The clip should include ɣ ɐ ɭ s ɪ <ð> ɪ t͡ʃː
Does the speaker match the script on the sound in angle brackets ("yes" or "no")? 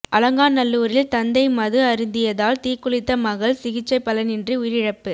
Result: no